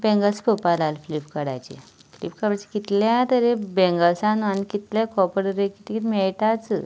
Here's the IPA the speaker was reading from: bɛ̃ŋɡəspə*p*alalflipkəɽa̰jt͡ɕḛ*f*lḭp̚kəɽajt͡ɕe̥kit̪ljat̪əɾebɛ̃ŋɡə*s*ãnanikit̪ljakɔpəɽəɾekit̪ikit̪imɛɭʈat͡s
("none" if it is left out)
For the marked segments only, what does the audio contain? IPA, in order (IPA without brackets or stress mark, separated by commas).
p, f, s